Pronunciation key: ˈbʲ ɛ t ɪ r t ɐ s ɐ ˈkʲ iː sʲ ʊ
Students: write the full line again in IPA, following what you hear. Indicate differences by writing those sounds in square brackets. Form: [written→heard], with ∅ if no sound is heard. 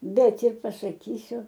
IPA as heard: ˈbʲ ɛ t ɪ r [t→p] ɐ s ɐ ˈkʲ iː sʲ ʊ